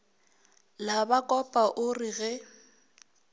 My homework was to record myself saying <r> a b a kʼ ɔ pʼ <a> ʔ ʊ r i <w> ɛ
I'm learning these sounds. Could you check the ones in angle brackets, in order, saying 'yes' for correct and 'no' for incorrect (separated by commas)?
no, yes, no